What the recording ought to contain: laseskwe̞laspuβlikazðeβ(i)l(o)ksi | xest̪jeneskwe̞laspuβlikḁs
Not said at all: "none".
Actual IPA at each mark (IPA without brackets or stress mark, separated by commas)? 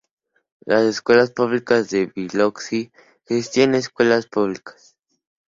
i, o